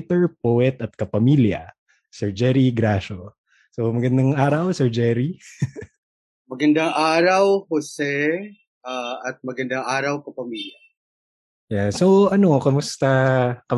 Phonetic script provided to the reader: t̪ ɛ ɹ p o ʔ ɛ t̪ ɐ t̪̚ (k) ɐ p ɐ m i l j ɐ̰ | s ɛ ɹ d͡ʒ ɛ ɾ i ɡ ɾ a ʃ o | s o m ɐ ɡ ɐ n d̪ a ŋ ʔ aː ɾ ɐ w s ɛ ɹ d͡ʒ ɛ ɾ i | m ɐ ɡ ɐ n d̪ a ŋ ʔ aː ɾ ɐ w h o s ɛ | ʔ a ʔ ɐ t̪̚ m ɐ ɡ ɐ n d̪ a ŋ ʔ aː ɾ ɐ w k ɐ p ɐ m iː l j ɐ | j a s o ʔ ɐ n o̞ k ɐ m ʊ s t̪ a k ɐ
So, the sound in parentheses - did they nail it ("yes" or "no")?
yes